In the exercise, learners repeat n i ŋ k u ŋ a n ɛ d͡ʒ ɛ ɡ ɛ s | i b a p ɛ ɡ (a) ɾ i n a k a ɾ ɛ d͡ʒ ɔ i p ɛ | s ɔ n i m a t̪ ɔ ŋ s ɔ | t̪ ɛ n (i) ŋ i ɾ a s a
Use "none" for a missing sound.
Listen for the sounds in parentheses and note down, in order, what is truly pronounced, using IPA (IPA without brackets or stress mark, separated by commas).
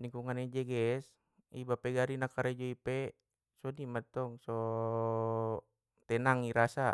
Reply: a, a